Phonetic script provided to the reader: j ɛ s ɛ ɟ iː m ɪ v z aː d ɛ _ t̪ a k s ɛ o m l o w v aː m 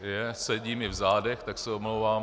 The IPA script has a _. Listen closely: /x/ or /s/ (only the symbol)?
x